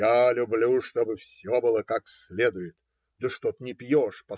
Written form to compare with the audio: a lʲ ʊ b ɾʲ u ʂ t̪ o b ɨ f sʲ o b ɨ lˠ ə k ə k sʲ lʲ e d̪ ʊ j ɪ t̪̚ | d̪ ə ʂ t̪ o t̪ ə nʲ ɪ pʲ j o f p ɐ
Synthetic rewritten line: a lʲ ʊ b lʲ u ʂ t̪ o b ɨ f sʲ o b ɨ lˠ ə k a k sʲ lʲ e d̪ ʊ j ɪ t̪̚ | d̪ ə ʂ t̪ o t̪ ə nʲ ɪ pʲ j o ʂ p ɐ